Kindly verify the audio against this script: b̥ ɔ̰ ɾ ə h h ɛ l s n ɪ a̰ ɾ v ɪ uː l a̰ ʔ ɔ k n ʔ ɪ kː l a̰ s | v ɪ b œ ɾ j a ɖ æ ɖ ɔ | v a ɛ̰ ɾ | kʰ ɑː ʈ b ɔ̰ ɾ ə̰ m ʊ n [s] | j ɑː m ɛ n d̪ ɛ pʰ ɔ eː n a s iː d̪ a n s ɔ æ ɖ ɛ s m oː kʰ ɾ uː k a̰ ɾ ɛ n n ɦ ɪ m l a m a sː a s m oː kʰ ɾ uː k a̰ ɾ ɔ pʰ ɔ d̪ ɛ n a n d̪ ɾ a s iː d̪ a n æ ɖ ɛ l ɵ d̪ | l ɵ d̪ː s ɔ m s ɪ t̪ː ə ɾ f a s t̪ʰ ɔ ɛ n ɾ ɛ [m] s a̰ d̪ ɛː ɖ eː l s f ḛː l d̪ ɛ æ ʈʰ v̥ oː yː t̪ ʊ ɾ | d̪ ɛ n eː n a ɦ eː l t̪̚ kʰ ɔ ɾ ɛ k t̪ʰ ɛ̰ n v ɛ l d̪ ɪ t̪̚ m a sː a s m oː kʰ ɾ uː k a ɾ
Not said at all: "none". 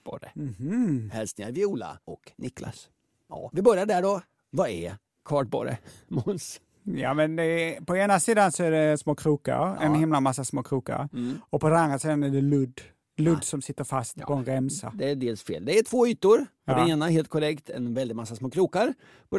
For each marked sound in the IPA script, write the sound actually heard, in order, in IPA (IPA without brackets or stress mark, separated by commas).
s, m